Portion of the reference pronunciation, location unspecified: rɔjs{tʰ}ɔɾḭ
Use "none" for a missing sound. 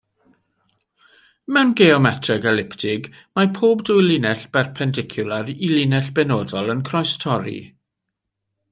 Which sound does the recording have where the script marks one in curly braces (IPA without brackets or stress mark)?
tʰ